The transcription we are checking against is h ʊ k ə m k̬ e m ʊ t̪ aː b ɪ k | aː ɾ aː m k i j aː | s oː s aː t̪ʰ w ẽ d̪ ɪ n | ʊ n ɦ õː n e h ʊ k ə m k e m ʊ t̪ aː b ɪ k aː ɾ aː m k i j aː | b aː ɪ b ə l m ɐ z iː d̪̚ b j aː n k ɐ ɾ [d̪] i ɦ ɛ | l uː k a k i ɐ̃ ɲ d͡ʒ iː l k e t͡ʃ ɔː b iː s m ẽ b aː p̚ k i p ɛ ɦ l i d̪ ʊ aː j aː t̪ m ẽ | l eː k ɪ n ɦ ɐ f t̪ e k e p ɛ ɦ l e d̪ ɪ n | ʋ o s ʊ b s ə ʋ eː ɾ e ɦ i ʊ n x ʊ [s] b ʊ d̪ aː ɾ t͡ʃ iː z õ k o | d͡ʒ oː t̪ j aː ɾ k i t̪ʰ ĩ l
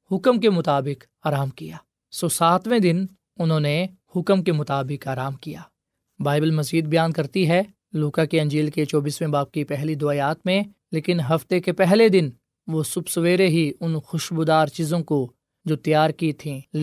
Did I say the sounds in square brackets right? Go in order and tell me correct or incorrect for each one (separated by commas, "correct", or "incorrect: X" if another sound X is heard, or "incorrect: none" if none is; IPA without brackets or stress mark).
incorrect: t̪, incorrect: ʃ